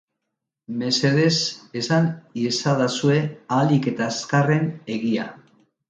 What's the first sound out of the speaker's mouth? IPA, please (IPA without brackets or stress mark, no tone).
m